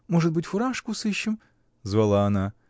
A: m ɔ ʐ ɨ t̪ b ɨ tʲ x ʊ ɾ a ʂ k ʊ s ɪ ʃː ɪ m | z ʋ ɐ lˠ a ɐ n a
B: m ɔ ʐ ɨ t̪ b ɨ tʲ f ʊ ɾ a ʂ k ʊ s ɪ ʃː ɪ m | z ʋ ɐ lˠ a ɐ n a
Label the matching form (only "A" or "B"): B